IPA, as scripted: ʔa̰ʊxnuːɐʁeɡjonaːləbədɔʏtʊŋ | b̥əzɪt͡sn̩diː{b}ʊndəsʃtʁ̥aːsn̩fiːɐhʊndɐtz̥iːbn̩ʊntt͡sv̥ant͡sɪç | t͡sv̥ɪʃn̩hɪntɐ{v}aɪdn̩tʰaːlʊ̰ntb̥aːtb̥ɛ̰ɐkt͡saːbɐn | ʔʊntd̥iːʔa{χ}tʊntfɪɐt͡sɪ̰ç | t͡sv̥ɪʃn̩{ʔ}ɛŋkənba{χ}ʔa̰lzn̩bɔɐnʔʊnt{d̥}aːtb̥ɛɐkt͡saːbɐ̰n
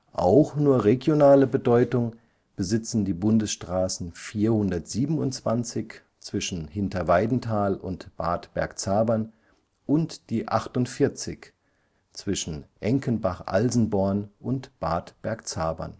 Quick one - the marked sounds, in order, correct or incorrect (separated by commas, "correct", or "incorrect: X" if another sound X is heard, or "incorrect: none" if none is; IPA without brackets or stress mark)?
correct, correct, correct, correct, correct, incorrect: b̥